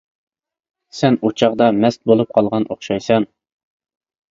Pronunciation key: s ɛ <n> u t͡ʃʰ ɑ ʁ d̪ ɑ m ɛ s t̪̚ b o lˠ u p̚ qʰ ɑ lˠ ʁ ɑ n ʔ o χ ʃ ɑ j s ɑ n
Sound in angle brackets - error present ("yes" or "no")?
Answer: no